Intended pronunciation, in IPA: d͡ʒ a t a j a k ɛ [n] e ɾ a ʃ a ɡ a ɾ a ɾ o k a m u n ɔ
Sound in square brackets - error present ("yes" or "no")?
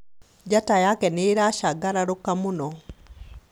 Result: no